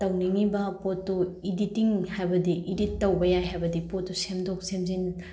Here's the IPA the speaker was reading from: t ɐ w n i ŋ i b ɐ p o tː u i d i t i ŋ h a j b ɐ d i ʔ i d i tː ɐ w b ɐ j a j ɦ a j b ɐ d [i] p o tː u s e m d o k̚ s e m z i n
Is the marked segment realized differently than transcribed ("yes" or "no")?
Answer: no